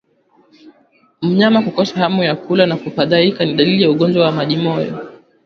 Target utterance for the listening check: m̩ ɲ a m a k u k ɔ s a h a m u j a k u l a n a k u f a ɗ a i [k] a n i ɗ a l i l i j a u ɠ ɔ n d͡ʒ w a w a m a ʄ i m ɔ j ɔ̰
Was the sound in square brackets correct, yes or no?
yes